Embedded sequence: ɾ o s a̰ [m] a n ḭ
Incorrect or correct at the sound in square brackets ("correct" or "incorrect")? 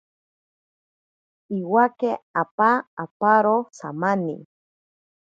correct